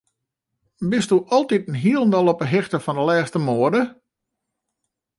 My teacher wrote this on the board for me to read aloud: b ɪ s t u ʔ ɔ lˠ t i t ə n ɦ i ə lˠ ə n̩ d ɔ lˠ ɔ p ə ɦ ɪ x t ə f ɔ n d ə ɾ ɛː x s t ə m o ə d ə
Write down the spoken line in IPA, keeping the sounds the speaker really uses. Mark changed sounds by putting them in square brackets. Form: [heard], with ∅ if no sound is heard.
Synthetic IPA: b ɪ s t u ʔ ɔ lˠ t i t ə n ɦ i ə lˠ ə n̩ d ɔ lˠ ɔ p ə ɦ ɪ x t ə f ɔ n d ə [l] ɛː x s t ə m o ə d ə